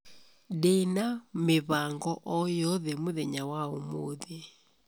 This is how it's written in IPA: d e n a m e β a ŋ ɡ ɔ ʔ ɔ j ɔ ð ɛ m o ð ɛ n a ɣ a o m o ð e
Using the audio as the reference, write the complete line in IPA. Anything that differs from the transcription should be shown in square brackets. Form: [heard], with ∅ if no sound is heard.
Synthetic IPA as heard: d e n a m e β a ŋ ɡ ɔ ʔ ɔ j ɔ ð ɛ m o ð ɛ [ɲ] a [w] a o m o ð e